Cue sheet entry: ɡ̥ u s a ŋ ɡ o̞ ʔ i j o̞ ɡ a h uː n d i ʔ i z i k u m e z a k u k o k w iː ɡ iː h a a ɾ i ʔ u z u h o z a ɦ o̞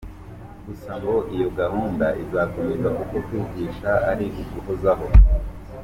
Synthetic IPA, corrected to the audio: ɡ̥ u s a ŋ ɡ o̞ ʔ i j o̞ ɡ a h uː n d a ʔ i z a k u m e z a k u k o k w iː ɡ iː ʃ a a ɾ i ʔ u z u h o z a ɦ o̞